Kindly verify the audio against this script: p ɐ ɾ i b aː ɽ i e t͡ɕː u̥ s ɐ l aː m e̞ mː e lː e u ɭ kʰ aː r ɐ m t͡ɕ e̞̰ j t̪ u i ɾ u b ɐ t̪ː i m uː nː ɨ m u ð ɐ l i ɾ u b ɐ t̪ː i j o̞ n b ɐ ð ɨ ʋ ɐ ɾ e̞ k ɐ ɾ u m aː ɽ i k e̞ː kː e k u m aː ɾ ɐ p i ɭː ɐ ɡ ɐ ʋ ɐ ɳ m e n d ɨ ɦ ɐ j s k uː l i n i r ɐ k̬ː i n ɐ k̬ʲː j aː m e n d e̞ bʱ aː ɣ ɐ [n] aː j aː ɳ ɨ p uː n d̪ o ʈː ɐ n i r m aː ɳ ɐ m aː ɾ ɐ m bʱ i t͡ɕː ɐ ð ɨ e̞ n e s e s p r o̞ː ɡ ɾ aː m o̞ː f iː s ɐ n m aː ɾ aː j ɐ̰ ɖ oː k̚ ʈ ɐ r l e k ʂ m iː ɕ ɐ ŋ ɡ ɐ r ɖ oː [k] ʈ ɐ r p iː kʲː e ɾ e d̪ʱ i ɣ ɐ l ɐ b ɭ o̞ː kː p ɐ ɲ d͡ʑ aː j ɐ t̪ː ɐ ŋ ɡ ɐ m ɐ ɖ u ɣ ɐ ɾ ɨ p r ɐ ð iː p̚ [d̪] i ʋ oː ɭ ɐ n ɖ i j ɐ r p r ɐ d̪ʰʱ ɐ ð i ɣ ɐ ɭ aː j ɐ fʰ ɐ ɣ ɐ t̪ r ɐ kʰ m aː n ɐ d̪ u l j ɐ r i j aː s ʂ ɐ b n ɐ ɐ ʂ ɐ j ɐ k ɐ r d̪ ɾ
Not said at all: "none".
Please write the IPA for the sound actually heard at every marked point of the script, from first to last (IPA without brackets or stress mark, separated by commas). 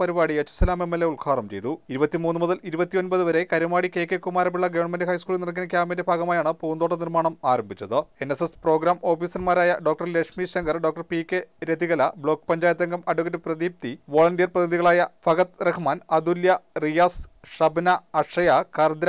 m, k, t̪